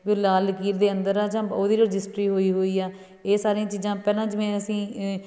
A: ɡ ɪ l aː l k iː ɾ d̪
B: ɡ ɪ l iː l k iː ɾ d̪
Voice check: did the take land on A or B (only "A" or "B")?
A